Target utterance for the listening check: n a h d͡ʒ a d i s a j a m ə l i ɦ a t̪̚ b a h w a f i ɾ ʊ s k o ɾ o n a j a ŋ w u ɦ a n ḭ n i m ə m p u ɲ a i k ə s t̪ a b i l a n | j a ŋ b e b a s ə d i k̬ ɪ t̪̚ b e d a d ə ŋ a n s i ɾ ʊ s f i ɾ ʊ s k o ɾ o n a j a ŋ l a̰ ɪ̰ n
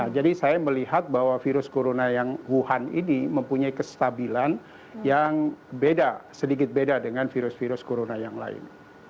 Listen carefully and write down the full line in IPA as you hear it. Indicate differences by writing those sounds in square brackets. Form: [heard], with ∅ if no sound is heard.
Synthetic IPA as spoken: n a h d͡ʒ a d i s a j a m ə l i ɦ a t̪̚ b a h w a f i ɾ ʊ s k o ɾ o n a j a ŋ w u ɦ a n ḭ n i m ə m p u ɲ a i k ə s t̪ a b i l a n | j a ŋ b e [d] a s ə d i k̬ ɪ t̪̚ b e d a d ə ŋ a n [f] i ɾ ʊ s f i ɾ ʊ s k o ɾ o n a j a ŋ l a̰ ɪ̰ n